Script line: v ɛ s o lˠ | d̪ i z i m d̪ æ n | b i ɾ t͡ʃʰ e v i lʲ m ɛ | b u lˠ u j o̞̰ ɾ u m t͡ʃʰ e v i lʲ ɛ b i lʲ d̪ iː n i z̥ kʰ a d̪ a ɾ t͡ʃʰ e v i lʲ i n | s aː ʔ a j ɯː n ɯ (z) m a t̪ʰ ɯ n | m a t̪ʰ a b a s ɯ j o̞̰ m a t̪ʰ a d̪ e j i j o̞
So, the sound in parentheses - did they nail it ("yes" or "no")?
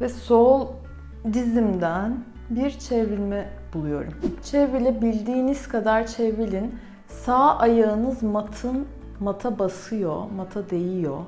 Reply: yes